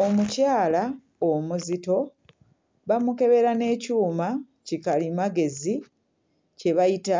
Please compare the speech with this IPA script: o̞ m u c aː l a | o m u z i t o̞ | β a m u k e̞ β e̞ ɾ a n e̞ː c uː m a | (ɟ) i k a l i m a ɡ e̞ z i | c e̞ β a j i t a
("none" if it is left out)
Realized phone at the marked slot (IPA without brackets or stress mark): c